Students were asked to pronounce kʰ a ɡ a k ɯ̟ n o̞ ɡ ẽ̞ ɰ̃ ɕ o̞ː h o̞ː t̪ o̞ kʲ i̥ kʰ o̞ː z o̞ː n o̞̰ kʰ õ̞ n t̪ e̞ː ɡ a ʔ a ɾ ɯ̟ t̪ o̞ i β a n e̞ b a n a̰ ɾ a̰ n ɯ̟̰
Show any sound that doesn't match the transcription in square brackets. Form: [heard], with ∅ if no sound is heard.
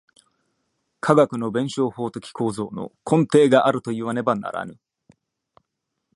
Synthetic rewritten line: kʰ a ɡ a k ɯ̟ n o̞ [b] ẽ̞ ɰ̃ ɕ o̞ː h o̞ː t̪ o̞ kʲ i̥ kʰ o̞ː z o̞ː n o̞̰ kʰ õ̞ n t̪ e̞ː ɡ a ʔ a ɾ ɯ̟ t̪ o̞ i β a n e̞ b a n a̰ ɾ a̰ n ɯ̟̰

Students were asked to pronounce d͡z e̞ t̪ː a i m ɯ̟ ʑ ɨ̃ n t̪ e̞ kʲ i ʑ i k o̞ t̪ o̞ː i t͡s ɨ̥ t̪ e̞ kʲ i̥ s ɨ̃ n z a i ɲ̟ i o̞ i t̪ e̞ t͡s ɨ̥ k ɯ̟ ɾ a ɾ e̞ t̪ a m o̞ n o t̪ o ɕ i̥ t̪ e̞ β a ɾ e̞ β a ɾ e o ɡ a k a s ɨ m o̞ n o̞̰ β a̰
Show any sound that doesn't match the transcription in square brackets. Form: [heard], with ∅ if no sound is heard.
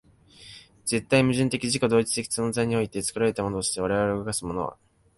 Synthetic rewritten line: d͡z e̞ t̪ː a i m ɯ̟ ʑ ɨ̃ n t̪ e̞ kʲ i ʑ i k o̞ [d̪] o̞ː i t͡s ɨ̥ t̪ e̞ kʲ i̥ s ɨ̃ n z a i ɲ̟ i o̞ i t̪ e̞ t͡s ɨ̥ k ɯ̟ ɾ a ɾ e̞ t̪ a m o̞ n o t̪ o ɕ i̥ t̪ e̞ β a ɾ e̞ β a ɾ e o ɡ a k a s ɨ m o̞ n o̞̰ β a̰

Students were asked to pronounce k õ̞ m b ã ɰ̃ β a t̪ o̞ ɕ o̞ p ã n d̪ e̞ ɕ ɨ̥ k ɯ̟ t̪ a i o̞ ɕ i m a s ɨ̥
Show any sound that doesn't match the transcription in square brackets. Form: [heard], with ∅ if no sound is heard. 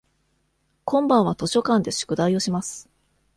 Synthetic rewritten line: k õ̞ m b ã ɰ̃ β a t̪ o̞ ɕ o̞ [k] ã n d̪ e̞ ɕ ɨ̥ k ɯ̟ [d̪] a i o̞ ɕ i m a s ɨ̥

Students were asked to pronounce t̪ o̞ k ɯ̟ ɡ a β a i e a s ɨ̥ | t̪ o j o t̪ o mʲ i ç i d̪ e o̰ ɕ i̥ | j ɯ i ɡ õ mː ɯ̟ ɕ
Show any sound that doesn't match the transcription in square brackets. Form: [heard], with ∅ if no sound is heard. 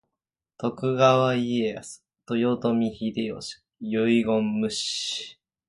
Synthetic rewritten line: t̪ o̞ k ɯ̟ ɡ a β a i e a s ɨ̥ | t̪ o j o t̪ o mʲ i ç i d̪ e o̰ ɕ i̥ | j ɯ i ɡ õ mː ɯ̟ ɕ

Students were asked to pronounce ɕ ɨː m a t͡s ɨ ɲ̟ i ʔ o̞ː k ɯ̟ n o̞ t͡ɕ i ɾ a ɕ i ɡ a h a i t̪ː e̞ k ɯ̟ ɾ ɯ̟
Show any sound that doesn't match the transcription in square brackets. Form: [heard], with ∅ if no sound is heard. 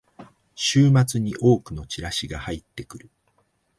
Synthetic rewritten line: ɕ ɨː m a t͡s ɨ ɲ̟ i ʔ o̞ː k ɯ̟ n o̞ t͡ɕ i ɾ a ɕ i ɡ a h a i t̪ː e̞ k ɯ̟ ɾ ɯ̟

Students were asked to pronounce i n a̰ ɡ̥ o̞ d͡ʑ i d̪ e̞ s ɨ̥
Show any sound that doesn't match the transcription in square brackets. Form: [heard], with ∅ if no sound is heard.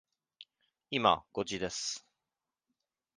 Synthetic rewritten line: i [m] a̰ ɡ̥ o̞ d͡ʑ i d̪ e̞ s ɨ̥

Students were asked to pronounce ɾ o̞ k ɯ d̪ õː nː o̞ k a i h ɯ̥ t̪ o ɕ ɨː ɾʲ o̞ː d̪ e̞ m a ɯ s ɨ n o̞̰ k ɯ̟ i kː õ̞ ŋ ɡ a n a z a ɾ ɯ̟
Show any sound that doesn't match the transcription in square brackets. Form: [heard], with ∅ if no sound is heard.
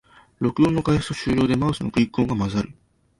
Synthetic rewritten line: ɾ o̞ k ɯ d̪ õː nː o̞ k a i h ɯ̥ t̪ o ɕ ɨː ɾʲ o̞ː d̪ e̞ m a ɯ s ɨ n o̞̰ k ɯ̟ i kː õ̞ ŋ ɡ a [m] a z a ɾ ɯ̟

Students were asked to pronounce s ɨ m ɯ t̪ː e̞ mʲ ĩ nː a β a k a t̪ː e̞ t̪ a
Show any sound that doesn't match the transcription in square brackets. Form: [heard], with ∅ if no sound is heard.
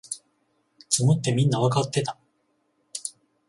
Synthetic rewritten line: [t͡s] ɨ m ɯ t̪ː e̞ mʲ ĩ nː a β a k a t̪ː e̞ t̪ a

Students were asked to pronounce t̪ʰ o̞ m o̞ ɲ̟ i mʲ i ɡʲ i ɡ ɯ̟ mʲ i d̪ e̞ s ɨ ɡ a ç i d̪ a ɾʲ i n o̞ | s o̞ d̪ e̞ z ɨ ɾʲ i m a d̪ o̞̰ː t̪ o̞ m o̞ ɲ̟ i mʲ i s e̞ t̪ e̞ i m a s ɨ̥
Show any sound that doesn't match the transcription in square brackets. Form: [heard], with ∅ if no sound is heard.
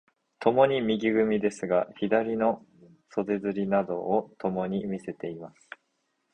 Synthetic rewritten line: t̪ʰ o̞ m o̞ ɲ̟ i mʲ i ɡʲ i ɡ ɯ̟ mʲ i d̪ e̞ s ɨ ɡ a ç i d̪ a ɾʲ i n o̞ | s o̞ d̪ e̞ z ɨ ɾʲ i [n] a d̪ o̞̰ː t̪ o̞ m o̞ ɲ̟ i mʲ i s e̞ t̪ e̞ i m a s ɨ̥

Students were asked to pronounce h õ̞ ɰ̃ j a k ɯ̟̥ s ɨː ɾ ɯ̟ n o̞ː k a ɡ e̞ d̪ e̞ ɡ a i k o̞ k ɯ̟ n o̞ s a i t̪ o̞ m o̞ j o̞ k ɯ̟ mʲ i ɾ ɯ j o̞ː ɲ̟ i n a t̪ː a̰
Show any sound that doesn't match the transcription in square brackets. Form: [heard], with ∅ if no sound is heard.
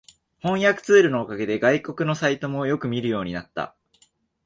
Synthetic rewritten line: h õ̞ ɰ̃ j a k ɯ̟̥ [t͡s] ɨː ɾ ɯ̟ n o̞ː k a ɡ e̞ d̪ e̞ ɡ a i k o̞ k ɯ̟ n o̞ s a i t̪ o̞ m o̞ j o̞ k ɯ̟ mʲ i ɾ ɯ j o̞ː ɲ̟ i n a t̪ː a̰

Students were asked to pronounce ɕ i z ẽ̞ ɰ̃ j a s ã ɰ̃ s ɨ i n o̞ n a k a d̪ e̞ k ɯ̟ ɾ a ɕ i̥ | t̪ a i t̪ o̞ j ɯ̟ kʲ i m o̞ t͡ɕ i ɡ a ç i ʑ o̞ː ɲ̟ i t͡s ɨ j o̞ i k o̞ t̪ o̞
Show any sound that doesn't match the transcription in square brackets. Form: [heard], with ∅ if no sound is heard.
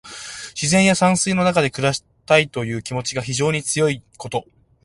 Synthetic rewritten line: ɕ i z ẽ̞ ɰ̃ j a s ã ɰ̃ s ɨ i n o̞ n a k a d̪ e̞ k ɯ̟ ɾ a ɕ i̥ | t̪ a i t̪ o̞ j [ɯ̟ː] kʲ i m o̞ t͡ɕ i ɡ a ç i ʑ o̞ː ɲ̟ i t͡s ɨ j o̞ i k o̞ t̪ o̞

